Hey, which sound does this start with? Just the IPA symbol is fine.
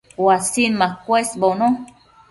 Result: w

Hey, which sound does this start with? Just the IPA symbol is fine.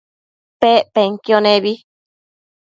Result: p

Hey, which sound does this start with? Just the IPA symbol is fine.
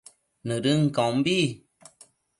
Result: n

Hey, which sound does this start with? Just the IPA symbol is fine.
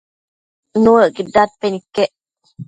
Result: n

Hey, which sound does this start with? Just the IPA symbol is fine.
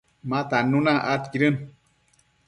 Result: m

